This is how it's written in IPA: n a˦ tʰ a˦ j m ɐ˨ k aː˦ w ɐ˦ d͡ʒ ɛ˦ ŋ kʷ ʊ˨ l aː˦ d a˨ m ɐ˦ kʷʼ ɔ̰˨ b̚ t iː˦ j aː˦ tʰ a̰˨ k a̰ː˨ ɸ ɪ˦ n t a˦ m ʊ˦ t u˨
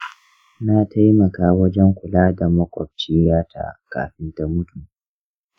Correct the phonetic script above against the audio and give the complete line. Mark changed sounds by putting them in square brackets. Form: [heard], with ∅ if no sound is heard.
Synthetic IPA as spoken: n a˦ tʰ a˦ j m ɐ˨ k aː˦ w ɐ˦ d͡ʒ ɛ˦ ŋ kʷ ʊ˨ l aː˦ d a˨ m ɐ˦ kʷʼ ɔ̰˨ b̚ [t͡ʃ] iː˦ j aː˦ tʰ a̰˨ k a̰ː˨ ɸ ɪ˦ n t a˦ m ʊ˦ t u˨